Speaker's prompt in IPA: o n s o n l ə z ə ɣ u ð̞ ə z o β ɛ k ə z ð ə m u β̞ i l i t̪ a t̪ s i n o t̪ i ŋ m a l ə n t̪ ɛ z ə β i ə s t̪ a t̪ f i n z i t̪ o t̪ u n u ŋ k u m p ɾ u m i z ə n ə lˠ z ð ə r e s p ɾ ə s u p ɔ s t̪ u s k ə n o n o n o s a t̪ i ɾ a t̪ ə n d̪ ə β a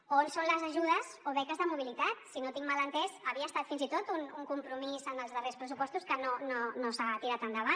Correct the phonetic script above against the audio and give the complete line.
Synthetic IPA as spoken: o n s o n l ə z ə ʒ u ð̞ ə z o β ɛ k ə z ð ə m u β̞ i l i t̪ a t̪ s i n o t̪ i ŋ m a l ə n t̪ ɛ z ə β i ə s t̪ a t̪ f i n z i t̪ o t̪ u n u ŋ k u m p ɾ u m i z ə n ə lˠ z ð ə r e s p ɾ ə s u p ɔ s t̪ u s k ə n o n o n o s a t̪ i ɾ a t̪ ə n d̪ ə β a

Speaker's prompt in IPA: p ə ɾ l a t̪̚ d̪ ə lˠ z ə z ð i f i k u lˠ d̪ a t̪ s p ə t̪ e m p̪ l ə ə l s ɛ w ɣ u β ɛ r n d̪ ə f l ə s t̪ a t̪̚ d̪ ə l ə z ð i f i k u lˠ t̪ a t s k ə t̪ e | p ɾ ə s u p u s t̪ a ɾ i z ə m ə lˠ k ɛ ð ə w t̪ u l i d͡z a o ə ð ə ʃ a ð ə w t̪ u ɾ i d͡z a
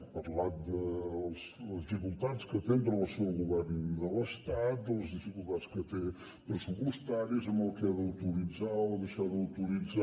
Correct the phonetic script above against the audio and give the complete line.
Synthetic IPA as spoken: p ə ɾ l a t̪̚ d̪ ə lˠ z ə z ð i f i k u lˠ t̪ a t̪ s k ə t̪ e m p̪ ɾ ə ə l s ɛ w ɣ u β ɛ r n d̪ ə l ə s t̪ a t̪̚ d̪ ə l ə z ð i f i k u lˠ t̪ a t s k ə t̪ e | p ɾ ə s u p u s t̪ a ɾ i z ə m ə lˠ k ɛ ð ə w t̪ u ɾ i d͡z a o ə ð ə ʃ a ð ə w t̪ u ɾ i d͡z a

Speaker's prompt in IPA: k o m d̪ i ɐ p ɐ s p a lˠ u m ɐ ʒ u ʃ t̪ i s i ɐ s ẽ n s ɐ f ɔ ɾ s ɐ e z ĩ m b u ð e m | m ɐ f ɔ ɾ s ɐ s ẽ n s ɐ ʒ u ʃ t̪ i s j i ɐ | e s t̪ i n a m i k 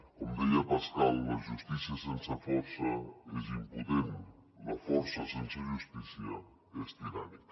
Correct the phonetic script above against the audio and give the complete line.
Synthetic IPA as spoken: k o m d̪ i ɐ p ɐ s k a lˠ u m ɐ ʒ u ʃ t̪ i s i ɐ s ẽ n s ɐ f ɔ ɾ s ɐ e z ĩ m p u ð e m | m ɐ f ɔ ɾ s ɐ s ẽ n s ɐ ʒ u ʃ t̪ i s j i ɐ | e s t̪ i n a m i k

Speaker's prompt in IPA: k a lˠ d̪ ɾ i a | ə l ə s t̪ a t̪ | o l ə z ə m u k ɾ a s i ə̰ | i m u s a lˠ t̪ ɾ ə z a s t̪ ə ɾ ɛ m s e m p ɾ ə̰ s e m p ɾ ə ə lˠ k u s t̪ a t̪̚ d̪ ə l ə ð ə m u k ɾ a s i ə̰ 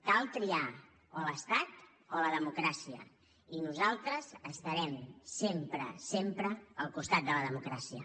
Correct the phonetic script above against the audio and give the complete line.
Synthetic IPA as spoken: k a lˠ t̪ ɾ i a | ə l ə s t̪ a t̪ | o l ə ð ə m u k ɾ a s i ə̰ | i n u z a lˠ t̪ ɾ ə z ə s t̪ ə ɾ ɛ m s e m p ɾ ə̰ s e m p ɾ ə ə lˠ k u s t̪ a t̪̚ d̪ ə l ə ð ə m u k ɾ a s i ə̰

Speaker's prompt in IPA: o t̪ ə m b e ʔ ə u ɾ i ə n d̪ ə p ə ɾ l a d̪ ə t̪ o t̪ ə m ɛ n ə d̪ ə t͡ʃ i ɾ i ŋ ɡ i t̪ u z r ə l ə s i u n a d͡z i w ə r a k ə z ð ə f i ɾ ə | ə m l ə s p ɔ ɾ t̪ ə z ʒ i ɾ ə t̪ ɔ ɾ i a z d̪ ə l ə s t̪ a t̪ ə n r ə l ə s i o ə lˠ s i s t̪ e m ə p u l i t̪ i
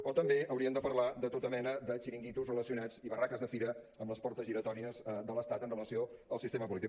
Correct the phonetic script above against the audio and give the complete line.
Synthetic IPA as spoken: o t̪ ə m b e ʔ ə w ɾ i ə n d̪ ə p ə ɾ l a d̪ ə t̪ o t̪ ə m ɛ n ə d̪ ə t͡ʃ i ɾ i ŋ ɡ i t̪ u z r ə l ə s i u n a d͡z i β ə r a k ə z ð ə f i ɾ ə | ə m l ə s p ɔ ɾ t̪ ə z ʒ i ɾ ə t̪ ɔ ɾ i ə z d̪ ə l ə s t̪ a t̪ ə n r ə l ə s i o ə lˠ s i s t̪ e m ə p u l i t̪ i

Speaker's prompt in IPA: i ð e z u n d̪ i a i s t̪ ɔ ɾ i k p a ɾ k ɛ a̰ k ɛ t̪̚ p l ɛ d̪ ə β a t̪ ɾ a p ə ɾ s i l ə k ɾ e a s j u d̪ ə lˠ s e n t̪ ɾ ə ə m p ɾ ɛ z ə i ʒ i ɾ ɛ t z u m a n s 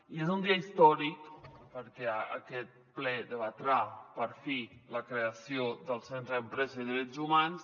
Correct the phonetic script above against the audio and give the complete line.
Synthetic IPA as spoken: i e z u n d̪ i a i s t̪ ɔ ɾ i k p ə ɾ k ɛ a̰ k ɛ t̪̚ p l ɛ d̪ ə β a t̪ ɾ a p ə ɾ f i l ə k ɾ e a s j o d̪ ə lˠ s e n t̪ ɾ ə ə m p ɾ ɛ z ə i ð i ɾ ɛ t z u m a n s

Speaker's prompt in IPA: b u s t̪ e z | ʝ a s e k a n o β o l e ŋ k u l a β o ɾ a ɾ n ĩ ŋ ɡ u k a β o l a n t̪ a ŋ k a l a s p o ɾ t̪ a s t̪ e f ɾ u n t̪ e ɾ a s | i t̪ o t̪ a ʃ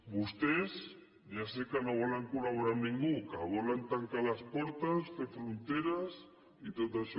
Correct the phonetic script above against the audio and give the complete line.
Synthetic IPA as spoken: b u s t̪ e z | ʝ a s e k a n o β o l a ŋ k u l a β o ɾ a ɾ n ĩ ŋ ɡ u k a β o l a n t̪ a ŋ k a l a s p o ɾ t̪ a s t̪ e f ɾ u n t̪ e ɾ a s | i t̪ o t̪ a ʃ

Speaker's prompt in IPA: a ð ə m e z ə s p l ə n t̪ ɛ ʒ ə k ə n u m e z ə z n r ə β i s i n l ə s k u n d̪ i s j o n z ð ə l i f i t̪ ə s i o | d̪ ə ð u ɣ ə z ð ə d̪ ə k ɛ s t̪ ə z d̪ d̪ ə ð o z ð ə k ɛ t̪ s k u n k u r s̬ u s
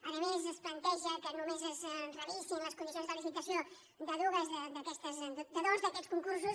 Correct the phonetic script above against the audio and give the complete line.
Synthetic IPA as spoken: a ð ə m e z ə s p l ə n t̪ ɛ ʒ ə k ə n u m e z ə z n r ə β i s i n l ə s k u n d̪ i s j o n z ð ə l i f i t̪ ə s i o | d̪ ə ð u ɣ ə z ð ə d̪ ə k ɛ s t̪ ə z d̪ d̪ ə ð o z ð ə k ɛ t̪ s k u ŋ k u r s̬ u s

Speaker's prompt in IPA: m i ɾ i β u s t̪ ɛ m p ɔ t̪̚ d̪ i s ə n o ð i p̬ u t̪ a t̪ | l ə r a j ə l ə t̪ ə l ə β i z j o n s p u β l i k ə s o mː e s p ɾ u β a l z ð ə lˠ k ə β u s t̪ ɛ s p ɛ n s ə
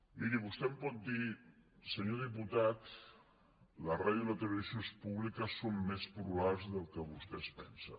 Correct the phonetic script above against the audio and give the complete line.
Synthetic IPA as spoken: m i ɾ i β u s t̪ ɛ m p ɔ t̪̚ d̪ i s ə ɲ o ð i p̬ u t̪ a t̪ | l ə r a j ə l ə t̪ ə l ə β i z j o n s p u β l i k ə s o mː e s p ɾ u β a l z ð ə lˠ k ə β u s t̪ ɛ s p ɛ n s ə

